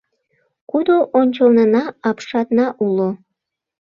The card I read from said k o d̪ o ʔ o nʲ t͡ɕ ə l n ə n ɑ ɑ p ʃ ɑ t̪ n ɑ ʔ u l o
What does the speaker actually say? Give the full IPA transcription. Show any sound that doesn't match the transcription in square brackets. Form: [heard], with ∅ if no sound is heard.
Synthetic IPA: k [u] d̪ o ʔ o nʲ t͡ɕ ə l n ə n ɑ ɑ p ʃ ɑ t̪ n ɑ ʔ u l o

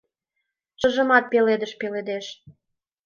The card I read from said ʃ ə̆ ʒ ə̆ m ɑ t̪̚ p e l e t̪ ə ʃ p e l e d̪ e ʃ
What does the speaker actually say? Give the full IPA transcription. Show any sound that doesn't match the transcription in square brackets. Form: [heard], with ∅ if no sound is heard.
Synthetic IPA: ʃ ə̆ ʒ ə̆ m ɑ t̪̚ p e l e [d̪] ə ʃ p e l e d̪ e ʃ

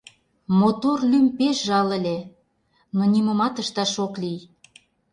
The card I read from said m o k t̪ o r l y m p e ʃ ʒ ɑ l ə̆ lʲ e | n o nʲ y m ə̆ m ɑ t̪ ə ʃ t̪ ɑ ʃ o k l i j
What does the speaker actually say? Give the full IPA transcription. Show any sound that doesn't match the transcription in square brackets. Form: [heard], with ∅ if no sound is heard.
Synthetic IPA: m o [∅] t̪ o r l y m p e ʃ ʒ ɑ l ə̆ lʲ e | n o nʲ [i] m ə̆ m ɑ t̪ ə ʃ t̪ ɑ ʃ o k l i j

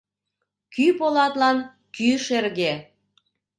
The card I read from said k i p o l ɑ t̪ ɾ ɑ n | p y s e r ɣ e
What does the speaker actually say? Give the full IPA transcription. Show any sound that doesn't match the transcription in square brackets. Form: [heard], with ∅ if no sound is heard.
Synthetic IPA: k [y] p o l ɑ t̪ [l] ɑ n | [k] y [ʃ] e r ɣ e

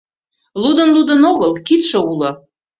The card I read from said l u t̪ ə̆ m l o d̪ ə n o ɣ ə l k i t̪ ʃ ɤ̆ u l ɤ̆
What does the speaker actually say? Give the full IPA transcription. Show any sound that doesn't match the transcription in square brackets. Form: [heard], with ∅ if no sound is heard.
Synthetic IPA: l u [d̪] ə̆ [n] l [u] d̪ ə n o ɣ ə l k i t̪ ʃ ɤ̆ u l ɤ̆

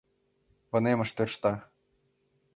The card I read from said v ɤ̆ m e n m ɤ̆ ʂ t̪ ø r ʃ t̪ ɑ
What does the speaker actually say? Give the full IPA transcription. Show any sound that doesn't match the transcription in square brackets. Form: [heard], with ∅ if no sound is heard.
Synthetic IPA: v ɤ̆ [n] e [∅] m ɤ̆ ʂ t̪ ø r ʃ t̪ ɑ

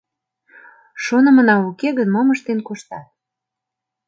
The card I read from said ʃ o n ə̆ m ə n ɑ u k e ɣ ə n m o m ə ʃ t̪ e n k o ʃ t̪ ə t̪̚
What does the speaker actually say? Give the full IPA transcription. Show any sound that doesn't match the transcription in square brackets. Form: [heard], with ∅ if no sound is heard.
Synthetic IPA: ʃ o n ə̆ m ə n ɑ u k e ɣ ə n m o m ə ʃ t̪ e n k o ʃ t̪ [ɑ] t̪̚

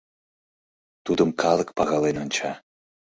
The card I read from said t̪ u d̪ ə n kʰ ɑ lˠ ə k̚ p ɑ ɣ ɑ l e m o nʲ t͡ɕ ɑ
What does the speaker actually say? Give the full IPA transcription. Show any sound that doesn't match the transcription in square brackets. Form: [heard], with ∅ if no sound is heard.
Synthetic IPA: t̪ u d̪ ə [m] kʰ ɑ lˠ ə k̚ p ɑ ɣ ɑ l e [n] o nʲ t͡ɕ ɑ

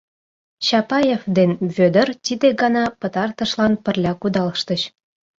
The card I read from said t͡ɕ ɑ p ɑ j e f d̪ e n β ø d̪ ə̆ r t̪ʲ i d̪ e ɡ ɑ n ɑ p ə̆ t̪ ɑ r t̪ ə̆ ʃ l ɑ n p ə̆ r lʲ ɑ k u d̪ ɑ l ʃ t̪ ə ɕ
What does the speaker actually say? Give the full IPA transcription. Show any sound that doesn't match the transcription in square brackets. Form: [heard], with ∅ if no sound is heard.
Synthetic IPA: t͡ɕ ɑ p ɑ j e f d̪ e n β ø d̪ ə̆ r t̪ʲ i d̪ e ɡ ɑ n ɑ p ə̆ t̪ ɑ r t̪ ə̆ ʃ l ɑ n p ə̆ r lʲ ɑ k u d̪ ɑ l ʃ t̪ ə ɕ

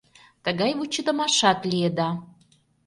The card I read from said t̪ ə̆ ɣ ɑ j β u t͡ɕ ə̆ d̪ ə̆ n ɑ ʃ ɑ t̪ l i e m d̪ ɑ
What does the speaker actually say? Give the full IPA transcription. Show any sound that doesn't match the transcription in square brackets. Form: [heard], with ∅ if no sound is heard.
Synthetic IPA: t̪ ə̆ ɣ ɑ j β u t͡ɕ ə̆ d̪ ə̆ [m] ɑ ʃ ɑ t̪ l i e [∅] d̪ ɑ

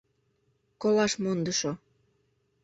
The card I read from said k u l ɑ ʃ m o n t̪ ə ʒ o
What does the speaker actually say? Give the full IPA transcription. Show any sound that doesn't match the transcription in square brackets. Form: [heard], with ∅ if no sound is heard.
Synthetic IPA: k [o] l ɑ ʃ m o n [d̪] ə [ʃ] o

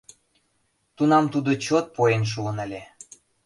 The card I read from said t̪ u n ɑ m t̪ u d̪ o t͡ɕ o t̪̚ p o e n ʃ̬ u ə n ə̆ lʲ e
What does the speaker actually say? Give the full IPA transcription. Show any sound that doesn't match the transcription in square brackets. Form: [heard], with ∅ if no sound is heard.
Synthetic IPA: t̪ u n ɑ m t̪ u d̪ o t͡ɕ o t̪̚ p o e n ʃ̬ u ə n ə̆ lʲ e

